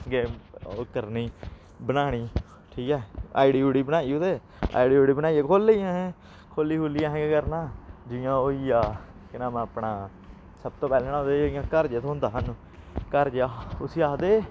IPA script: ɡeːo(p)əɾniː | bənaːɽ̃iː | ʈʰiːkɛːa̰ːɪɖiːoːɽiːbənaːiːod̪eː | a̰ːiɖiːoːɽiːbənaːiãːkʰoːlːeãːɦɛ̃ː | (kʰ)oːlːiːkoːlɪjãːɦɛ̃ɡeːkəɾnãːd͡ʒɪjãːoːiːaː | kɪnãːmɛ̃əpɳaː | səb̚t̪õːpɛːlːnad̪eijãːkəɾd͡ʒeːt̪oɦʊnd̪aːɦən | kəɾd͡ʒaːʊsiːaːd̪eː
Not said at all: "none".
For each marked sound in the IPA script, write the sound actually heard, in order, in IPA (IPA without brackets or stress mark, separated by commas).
k, kʰ